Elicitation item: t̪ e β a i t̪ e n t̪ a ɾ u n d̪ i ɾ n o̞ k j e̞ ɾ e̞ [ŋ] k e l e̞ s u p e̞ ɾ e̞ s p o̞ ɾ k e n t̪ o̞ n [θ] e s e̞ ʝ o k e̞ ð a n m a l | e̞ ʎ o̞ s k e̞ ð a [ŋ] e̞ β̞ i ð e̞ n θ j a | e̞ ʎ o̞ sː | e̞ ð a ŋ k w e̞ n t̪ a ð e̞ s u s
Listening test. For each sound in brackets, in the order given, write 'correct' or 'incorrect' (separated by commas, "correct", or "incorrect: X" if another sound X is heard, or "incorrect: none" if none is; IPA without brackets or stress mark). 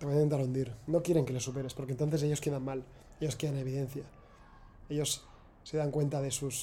correct, correct, incorrect: n